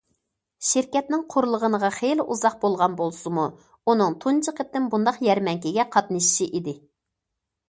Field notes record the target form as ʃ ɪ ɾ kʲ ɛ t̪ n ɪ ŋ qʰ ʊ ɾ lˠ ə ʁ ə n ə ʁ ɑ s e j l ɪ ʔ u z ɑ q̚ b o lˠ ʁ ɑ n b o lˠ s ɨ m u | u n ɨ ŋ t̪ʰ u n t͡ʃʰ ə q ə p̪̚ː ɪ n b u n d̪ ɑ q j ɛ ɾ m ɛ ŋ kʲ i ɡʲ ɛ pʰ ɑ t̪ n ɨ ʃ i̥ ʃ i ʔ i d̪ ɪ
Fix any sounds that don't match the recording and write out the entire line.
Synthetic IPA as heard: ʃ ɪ ɾ kʲ ɛ t̪ n ɪ ŋ qʰ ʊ ɾ lˠ ə ʁ ə n ə ʁ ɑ χ e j l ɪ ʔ u z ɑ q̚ b o lˠ ʁ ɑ n b o lˠ s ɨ m u | u n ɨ ŋ t̪ʰ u n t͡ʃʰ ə q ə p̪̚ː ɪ n b u n d̪ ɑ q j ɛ ɾ m ɛ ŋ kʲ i ɡʲ ɛ qʰ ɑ t̪ n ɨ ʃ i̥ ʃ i ʔ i d̪ ɪ